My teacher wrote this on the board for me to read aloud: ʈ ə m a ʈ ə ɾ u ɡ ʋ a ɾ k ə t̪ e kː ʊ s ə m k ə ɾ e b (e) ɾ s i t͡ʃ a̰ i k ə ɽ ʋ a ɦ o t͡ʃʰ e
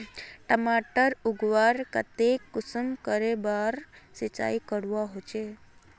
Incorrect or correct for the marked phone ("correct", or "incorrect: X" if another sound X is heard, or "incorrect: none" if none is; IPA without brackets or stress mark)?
incorrect: a